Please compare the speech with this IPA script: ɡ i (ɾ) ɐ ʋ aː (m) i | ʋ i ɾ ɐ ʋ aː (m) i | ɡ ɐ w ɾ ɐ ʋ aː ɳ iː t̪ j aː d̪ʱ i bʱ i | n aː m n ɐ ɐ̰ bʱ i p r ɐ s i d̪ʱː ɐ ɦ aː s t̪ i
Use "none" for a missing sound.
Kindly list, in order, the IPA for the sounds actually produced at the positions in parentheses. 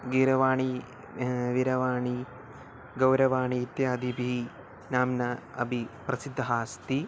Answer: ɾ, ɳ, ɳ

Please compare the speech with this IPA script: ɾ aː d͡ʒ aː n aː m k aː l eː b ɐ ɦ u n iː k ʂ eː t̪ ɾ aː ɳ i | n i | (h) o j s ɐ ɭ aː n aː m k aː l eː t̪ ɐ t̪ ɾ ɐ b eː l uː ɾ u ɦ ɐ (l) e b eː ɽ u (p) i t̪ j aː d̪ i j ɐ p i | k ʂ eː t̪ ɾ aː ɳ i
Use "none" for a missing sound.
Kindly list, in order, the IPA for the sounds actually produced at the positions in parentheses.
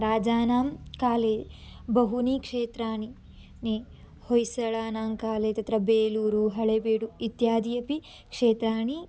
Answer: h, ɭ, none

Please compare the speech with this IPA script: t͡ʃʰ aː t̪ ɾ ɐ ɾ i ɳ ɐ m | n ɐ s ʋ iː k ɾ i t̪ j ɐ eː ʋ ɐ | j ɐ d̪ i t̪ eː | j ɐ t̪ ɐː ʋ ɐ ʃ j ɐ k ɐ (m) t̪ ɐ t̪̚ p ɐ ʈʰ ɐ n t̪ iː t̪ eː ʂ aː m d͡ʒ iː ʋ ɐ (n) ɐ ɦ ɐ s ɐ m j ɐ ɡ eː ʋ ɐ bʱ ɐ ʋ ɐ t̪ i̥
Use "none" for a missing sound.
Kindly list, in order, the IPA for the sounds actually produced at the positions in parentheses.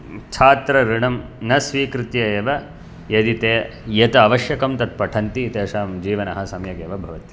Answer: m, n

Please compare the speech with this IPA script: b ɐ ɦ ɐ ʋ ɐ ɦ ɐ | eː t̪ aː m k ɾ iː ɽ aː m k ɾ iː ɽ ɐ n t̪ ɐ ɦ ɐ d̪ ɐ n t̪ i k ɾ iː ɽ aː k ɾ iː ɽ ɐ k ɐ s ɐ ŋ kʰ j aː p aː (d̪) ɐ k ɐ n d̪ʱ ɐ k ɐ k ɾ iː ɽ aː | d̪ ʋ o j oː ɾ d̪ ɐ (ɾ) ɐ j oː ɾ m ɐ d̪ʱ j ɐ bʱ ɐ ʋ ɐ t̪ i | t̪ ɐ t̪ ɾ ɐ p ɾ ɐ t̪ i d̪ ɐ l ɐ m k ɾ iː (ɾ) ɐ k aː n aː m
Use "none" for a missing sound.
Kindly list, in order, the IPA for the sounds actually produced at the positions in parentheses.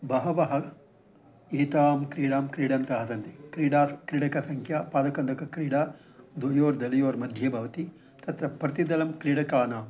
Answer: d̪, l, ɽ

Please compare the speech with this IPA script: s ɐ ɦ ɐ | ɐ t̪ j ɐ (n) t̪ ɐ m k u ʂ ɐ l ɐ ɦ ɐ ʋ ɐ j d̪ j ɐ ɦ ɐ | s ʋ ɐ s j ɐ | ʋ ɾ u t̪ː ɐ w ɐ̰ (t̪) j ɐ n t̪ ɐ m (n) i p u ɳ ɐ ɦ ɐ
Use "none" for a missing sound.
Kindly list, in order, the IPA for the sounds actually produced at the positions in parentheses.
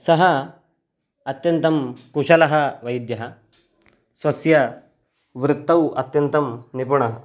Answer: n, t̪, n

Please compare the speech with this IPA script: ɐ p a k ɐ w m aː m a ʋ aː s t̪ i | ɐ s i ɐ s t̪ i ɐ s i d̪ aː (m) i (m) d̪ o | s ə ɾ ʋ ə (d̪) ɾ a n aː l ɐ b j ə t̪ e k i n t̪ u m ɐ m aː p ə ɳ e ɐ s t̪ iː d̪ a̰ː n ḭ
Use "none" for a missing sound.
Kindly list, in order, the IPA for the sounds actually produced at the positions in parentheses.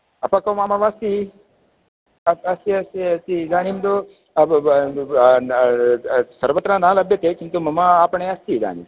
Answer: n, m, t̪

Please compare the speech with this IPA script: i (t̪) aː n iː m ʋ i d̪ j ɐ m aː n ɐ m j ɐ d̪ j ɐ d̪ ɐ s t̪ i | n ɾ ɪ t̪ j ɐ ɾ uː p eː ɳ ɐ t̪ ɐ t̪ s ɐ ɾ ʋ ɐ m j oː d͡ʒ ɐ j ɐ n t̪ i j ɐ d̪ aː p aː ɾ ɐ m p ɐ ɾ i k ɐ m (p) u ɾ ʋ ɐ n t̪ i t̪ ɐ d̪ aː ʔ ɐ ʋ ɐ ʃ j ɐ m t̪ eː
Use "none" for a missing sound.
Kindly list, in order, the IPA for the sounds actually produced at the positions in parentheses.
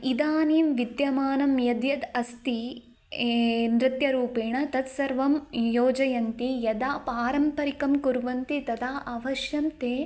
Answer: d̪, k

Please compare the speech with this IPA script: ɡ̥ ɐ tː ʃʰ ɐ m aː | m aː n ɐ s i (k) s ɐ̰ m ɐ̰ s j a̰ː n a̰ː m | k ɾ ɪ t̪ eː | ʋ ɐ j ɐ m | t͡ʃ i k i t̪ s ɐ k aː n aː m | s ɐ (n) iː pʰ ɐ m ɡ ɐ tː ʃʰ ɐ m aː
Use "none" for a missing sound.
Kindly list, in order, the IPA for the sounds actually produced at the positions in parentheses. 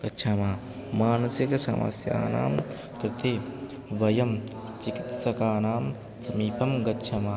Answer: k, m

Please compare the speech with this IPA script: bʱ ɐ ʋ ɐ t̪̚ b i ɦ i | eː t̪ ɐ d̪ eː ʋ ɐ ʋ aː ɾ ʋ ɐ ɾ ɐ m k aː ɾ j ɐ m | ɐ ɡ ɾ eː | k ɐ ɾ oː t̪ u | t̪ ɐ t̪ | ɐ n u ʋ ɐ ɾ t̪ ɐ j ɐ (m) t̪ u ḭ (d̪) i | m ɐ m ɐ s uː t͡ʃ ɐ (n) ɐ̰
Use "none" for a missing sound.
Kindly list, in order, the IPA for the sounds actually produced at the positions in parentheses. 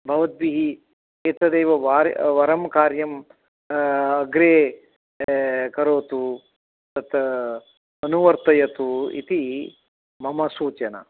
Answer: none, t̪, n

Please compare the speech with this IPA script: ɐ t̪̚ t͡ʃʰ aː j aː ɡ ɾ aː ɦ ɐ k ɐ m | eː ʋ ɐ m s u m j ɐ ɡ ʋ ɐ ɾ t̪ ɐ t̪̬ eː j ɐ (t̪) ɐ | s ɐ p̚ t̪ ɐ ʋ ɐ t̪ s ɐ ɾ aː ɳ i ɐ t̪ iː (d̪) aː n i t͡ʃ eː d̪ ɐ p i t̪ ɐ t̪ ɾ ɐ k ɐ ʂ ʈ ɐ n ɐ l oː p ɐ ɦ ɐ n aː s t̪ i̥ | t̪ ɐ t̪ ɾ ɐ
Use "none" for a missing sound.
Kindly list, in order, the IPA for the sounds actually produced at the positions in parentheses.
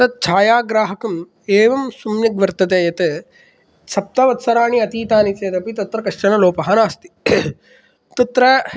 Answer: t̪, t̪

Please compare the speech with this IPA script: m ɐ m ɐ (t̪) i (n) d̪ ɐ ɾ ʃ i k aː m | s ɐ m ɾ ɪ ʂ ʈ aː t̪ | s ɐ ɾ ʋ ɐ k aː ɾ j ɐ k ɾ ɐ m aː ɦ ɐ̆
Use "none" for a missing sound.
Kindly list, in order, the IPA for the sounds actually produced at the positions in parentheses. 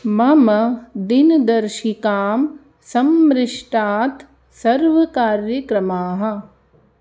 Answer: d̪, n

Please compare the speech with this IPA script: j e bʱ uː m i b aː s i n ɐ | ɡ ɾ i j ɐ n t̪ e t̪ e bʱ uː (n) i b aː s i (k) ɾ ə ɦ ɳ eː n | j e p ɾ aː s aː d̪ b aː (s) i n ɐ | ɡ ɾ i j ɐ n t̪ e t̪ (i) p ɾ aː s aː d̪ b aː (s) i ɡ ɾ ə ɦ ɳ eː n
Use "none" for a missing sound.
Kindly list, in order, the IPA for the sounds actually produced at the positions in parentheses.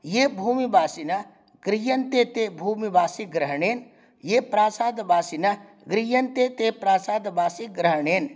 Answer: m, ɡ, s, e, s

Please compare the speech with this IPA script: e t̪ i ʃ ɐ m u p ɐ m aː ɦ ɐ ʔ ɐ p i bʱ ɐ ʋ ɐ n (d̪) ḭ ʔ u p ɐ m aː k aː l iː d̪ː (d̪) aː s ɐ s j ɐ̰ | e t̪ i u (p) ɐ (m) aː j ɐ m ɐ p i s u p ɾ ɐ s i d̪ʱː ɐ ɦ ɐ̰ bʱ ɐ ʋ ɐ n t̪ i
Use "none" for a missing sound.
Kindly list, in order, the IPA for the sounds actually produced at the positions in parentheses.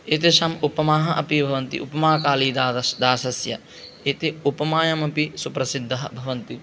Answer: t̪, d̪, p, m

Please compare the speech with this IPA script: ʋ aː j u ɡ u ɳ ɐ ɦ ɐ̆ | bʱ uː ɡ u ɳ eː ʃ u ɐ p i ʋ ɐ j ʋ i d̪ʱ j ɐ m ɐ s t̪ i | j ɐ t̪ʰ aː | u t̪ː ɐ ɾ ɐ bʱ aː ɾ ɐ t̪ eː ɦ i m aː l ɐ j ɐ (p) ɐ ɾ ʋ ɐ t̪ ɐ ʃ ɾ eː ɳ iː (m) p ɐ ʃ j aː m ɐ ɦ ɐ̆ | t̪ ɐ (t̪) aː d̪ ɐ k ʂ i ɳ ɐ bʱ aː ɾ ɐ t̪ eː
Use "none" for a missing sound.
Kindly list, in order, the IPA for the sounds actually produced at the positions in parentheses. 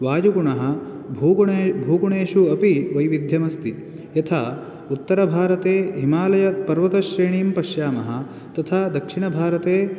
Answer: p, m, t̪ʰ

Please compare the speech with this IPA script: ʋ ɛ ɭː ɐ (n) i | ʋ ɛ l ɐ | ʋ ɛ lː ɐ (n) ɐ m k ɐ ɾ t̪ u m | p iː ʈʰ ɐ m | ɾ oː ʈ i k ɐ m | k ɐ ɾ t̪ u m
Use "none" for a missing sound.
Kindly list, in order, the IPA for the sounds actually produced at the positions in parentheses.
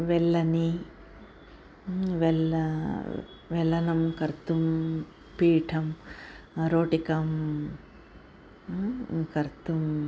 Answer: n, n

